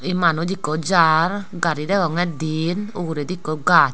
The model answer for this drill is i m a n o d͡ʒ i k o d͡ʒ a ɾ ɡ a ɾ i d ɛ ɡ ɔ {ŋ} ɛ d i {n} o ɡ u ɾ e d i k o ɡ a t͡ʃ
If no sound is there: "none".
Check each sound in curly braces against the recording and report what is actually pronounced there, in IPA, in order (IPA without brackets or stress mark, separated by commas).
ŋ, n